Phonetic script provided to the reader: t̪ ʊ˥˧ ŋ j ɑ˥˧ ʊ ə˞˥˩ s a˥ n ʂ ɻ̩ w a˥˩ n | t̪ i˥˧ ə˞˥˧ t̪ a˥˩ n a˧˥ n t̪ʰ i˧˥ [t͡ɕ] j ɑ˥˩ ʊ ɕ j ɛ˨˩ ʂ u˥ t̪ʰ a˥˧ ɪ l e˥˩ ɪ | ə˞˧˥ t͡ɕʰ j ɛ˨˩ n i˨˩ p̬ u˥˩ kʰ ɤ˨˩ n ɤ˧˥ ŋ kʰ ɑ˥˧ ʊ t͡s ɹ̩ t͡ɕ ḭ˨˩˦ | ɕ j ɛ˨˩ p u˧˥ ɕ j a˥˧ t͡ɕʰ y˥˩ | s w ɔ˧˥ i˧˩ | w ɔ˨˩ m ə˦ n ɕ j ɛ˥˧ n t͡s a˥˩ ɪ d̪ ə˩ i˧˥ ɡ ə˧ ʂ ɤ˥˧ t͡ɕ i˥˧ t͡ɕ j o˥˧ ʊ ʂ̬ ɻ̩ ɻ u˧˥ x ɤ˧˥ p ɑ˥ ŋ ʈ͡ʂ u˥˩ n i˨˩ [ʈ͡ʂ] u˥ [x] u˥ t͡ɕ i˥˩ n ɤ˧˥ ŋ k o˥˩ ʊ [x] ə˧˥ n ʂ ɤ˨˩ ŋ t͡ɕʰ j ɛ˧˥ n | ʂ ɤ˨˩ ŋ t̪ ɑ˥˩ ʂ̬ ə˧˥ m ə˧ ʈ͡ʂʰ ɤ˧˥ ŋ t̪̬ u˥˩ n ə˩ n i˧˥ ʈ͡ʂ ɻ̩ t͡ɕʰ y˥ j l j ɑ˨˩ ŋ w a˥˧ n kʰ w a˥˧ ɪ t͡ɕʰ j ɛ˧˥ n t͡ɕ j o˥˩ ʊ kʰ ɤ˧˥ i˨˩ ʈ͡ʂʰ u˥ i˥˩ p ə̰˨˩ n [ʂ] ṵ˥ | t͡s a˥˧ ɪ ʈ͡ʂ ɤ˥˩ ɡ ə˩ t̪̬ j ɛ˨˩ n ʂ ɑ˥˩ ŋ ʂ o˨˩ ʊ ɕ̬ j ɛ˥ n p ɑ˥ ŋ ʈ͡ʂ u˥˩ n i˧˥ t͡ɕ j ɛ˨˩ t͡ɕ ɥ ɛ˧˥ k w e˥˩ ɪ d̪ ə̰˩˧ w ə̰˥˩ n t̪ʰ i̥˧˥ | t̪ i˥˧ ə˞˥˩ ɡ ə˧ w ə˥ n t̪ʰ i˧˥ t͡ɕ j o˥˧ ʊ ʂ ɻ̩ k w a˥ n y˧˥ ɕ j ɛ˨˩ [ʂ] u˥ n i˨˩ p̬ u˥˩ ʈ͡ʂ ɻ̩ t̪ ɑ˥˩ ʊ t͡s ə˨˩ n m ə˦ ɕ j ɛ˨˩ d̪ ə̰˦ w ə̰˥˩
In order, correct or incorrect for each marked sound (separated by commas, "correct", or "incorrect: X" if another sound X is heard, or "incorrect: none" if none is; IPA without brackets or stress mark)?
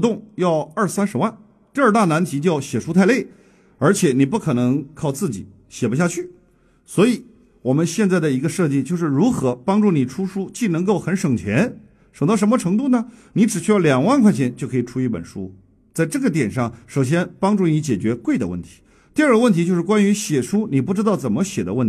correct, incorrect: ʈ͡ʂʰ, incorrect: ʂ, correct, correct, correct